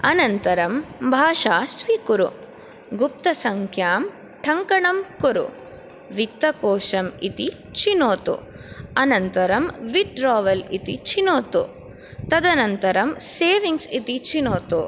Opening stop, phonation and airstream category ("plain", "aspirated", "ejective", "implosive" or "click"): plain